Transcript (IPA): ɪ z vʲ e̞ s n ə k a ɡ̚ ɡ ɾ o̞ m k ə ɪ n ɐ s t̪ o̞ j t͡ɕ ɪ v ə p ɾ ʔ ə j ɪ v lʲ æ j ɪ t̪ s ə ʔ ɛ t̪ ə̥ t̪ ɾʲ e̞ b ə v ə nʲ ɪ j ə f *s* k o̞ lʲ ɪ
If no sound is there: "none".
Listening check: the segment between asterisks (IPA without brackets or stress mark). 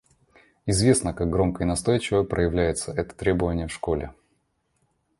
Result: ʂ